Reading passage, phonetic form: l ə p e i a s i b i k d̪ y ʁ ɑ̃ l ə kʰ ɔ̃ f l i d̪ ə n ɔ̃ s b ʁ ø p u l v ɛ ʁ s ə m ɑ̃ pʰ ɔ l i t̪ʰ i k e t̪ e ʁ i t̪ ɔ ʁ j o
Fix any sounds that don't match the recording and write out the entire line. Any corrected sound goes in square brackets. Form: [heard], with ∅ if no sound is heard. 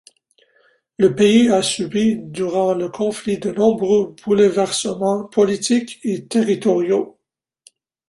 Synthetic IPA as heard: l ə p e i a s [y] b i [∅] d̪ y ʁ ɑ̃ l ə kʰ ɔ̃ f l i d̪ ə n ɔ̃ [∅] b ʁ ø [b] u l v ɛ ʁ s ə m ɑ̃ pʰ ɔ l i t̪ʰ i k e t̪ e ʁ i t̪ ɔ ʁ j o

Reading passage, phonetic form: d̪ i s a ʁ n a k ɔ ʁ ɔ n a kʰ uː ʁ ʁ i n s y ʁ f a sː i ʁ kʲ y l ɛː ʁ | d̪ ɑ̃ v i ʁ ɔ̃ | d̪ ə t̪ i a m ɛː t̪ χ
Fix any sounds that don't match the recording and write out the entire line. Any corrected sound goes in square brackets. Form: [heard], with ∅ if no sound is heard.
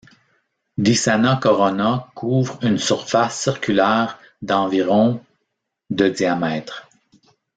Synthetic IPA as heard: d̪ i s a [∅] n a k ɔ ʁ ɔ n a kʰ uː [v] ʁ [y] n s y ʁ f a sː i ʁ kʲ y l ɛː ʁ | d̪ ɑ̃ v i ʁ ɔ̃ | d̪ ə [d̪] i a m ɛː t̪ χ

